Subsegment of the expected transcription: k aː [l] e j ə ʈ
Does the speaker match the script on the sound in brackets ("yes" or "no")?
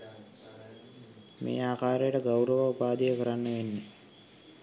no